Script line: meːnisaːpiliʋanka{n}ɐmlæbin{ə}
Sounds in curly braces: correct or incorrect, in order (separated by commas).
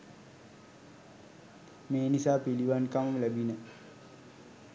incorrect, correct